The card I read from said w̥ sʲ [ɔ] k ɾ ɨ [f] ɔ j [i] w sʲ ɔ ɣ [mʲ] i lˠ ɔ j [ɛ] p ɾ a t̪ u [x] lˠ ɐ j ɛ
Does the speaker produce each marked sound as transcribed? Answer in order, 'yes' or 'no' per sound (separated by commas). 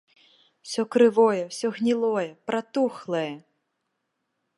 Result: yes, no, no, no, yes, yes